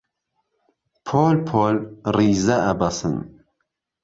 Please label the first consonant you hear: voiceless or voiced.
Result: voiceless